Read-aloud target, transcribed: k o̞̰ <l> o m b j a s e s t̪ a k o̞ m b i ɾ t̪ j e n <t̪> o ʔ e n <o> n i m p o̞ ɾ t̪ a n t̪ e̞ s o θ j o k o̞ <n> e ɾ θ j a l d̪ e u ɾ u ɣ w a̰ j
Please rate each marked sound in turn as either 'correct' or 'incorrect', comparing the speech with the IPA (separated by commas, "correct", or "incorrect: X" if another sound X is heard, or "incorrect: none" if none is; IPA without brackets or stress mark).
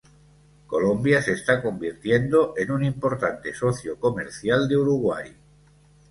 correct, incorrect: d̪, incorrect: u, incorrect: m